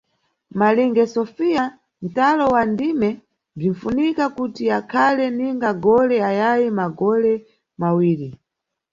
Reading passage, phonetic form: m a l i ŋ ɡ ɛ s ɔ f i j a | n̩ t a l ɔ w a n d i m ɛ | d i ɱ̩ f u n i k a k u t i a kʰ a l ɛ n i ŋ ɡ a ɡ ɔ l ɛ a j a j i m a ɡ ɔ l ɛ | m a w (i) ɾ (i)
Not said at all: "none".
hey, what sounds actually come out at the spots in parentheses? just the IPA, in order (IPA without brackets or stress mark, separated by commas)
iː, i